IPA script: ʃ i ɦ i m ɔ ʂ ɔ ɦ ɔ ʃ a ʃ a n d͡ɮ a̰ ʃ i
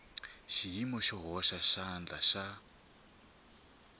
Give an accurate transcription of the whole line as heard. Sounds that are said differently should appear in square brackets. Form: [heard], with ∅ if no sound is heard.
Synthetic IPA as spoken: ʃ i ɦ i m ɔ [ʃ] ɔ ɦ ɔ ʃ a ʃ a n d͡ɮ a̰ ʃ [a]